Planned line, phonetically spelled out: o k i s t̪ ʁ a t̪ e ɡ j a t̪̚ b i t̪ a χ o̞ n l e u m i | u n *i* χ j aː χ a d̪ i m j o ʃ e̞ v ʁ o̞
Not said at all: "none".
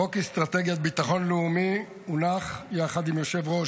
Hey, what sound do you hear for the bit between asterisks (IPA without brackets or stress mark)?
a